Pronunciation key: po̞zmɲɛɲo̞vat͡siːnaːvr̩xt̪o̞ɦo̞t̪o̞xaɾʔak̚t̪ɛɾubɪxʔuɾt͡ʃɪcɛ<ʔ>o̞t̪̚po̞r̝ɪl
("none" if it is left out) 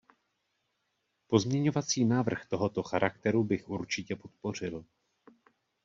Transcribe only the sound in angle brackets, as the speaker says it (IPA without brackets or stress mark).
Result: p